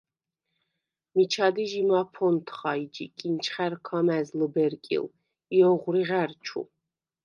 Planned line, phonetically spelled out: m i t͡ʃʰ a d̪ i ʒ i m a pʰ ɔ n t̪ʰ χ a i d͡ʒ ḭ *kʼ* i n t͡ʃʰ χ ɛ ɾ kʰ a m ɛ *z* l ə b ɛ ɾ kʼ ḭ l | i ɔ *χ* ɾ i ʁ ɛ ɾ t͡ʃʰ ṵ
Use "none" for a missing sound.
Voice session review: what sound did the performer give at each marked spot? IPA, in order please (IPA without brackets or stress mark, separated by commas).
kʼ, z, ʁ